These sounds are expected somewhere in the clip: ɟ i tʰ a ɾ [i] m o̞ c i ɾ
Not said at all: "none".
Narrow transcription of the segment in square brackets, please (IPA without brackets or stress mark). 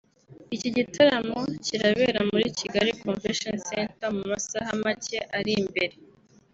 a